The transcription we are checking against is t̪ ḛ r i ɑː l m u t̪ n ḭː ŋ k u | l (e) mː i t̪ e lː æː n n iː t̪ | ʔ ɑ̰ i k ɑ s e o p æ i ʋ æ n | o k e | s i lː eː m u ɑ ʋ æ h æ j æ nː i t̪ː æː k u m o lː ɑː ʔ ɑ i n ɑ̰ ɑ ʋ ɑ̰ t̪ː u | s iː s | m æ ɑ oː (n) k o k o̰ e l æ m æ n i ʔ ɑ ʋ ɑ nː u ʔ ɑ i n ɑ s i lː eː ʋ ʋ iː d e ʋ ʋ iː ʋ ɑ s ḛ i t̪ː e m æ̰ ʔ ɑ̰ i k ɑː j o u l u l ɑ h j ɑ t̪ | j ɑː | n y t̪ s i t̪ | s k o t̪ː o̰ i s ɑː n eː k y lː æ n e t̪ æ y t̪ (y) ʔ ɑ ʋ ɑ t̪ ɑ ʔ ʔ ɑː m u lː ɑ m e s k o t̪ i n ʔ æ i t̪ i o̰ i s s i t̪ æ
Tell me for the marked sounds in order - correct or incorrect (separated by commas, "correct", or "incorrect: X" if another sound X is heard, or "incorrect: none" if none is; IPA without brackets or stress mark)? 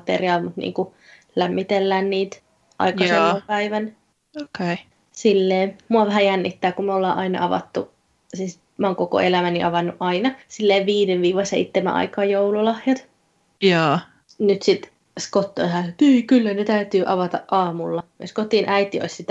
incorrect: æ, incorrect: ŋ, incorrect: yː